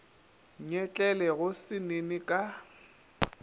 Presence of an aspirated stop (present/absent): absent